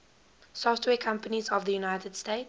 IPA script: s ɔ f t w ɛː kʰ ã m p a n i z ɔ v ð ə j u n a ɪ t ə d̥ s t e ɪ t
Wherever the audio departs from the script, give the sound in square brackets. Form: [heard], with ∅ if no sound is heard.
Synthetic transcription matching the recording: s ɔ f t w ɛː kʰ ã m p [ə] n i z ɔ v ð ə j u n a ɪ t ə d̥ s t e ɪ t